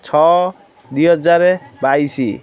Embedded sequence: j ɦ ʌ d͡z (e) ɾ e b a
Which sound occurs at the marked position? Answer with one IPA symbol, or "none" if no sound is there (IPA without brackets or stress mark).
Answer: a